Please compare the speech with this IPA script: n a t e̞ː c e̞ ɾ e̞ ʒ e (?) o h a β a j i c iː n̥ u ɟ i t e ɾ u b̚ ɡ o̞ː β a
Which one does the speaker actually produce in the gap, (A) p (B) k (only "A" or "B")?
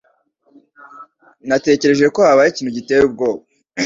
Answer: B